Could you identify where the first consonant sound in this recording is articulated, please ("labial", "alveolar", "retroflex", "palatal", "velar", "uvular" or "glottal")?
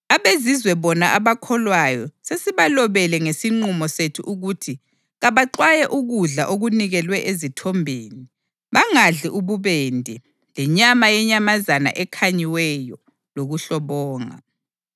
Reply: labial